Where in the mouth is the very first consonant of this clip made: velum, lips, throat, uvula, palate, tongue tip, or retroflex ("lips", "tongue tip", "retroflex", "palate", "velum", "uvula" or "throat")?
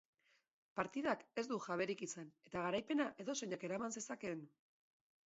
lips